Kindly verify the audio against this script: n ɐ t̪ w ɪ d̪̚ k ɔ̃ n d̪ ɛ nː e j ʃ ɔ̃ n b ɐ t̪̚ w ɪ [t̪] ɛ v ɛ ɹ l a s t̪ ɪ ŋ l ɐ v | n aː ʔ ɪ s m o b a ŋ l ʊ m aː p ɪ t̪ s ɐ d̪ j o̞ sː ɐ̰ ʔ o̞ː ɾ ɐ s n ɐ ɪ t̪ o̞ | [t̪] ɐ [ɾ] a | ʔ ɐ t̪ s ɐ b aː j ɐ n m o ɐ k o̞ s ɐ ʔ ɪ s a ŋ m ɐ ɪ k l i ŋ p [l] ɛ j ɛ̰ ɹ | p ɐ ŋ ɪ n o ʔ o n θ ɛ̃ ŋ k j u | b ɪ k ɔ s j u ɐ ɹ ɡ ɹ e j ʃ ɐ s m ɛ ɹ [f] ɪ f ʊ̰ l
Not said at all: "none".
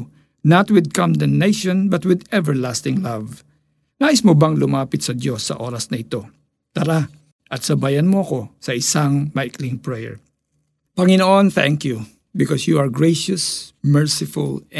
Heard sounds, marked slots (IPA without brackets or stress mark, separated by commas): d̪, t̪, ɾ, ɹ, s